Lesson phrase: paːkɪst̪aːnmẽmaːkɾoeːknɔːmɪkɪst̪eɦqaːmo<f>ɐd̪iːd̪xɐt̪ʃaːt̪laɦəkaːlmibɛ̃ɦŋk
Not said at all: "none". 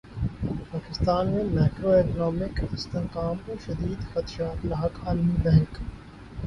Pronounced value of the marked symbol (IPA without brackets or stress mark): ʃ